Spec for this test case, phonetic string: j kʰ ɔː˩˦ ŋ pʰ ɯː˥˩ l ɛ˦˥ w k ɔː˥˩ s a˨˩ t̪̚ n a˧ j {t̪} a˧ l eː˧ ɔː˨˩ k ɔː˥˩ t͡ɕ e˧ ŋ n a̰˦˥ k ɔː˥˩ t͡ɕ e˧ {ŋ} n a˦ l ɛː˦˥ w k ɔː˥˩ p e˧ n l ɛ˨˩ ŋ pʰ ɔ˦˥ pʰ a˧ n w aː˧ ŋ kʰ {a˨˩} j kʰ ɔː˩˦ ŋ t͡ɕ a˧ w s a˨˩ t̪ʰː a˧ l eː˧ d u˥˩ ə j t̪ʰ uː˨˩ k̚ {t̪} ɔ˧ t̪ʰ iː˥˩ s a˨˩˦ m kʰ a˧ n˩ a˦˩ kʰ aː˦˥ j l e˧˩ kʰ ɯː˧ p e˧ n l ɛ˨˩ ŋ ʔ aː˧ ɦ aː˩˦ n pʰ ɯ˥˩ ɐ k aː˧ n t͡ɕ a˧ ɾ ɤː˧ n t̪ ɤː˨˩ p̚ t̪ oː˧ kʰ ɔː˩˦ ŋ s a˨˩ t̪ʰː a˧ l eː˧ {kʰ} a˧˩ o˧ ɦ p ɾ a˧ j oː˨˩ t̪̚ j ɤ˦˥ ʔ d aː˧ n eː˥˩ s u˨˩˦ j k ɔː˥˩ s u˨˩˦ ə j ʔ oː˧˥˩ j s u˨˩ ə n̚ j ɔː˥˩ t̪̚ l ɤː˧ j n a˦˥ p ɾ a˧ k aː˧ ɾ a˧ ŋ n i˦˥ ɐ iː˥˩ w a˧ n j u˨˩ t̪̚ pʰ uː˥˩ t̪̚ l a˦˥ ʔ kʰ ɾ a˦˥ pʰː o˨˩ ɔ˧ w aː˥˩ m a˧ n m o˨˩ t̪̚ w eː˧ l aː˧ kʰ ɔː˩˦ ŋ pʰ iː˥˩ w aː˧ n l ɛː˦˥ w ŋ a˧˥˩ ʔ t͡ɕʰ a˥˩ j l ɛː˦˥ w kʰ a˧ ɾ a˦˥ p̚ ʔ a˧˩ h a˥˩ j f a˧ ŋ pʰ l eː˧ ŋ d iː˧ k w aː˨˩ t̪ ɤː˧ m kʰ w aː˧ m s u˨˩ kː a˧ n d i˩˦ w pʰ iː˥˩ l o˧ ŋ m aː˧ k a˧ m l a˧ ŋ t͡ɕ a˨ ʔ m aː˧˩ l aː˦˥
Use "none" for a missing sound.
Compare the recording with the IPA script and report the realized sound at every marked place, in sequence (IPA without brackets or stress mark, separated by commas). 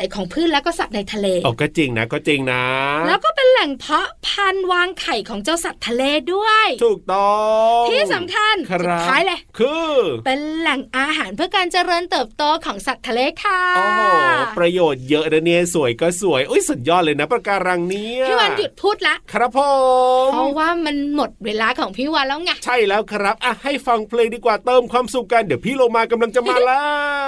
t̪ʰ, ŋ, a˨˩, t̪, kʰ